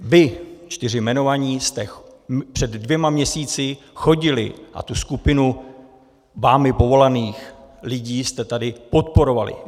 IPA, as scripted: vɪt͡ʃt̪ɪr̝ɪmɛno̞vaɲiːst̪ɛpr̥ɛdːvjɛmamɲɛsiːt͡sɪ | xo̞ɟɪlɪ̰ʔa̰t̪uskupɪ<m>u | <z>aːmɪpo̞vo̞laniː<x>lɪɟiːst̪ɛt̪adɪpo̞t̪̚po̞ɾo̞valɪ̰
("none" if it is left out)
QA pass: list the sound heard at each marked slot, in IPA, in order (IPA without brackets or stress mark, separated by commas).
n, v, x